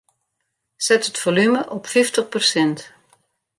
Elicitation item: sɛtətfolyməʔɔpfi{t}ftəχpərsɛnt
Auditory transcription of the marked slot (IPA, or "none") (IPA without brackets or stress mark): none